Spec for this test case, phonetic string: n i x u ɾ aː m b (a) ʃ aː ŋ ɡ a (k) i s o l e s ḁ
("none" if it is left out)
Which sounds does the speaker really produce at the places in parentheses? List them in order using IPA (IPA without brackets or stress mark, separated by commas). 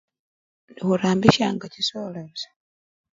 i, c